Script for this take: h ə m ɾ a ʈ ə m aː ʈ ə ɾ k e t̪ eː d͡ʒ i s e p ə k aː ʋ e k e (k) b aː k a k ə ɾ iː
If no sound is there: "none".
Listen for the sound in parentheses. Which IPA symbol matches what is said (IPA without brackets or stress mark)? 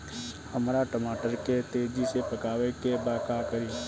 none